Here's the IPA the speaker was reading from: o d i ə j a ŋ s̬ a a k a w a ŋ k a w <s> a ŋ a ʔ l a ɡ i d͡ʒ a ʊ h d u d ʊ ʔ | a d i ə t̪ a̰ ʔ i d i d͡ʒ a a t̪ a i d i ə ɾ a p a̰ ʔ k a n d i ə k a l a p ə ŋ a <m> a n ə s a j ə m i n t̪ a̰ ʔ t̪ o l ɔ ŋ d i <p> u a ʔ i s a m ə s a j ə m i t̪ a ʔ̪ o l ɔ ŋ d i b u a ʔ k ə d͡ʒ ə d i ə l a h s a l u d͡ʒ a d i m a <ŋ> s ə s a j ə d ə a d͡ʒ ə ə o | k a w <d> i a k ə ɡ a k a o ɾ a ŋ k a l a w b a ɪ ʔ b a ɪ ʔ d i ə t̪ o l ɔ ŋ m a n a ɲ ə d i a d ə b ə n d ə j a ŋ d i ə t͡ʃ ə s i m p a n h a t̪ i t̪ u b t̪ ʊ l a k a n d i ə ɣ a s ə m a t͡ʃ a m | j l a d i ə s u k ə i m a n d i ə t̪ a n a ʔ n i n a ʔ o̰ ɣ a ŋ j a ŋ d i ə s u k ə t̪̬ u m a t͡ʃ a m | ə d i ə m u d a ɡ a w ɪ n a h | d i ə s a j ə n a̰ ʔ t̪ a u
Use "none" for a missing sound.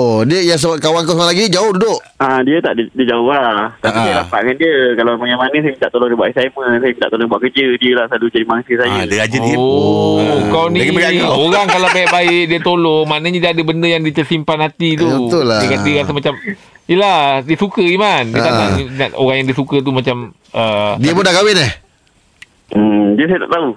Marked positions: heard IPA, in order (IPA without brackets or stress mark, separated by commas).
s, m, b, ŋ, n